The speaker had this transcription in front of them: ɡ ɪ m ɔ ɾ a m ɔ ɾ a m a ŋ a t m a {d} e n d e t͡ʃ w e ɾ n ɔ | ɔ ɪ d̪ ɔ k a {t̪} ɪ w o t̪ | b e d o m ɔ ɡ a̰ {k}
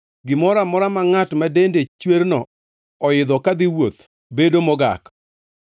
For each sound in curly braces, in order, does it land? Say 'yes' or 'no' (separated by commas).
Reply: yes, no, yes